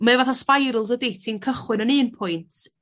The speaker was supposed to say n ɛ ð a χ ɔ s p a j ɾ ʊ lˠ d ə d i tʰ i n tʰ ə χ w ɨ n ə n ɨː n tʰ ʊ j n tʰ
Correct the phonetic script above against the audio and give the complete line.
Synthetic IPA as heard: m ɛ v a θ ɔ s p a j ɾ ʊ lˠ d ə d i tʰ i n kʰ ə χ w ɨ n ə n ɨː n pʰ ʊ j n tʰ